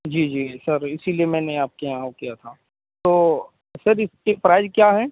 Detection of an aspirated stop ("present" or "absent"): present